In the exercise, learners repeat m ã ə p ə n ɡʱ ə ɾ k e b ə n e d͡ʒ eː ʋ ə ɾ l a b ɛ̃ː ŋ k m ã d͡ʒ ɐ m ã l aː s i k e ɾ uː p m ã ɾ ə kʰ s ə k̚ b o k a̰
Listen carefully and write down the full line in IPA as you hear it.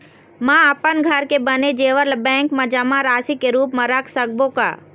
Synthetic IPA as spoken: m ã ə p ə n ɡʱ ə ɾ k e b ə n e d͡ʒ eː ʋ ə ɾ l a b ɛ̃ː ŋ k m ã d͡ʒ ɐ m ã ɾ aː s i k e ɾ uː p m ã ɾ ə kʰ s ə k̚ b o k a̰

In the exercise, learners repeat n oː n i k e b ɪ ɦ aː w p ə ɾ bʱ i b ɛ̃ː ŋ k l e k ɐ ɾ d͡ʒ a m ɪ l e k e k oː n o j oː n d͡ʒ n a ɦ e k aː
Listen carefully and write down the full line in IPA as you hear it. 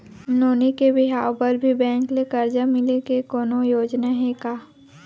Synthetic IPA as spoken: n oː n i k e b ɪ ɦ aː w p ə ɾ bʱ i b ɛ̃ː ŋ k l e k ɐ ɾ d͡ʒ a m ɪ l e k e k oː n o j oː d͡ʒ n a ɦ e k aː

